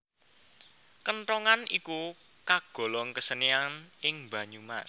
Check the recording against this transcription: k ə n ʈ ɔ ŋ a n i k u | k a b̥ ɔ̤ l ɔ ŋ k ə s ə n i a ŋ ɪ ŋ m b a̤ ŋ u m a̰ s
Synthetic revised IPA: k ə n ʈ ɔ ŋ a n i k u | k a ɡ̥ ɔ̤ l ɔ ŋ k ə s ə n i a n ɪ ŋ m b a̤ ɲ u m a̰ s